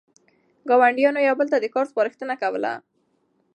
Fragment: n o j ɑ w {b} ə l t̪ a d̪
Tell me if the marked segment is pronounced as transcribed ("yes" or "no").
yes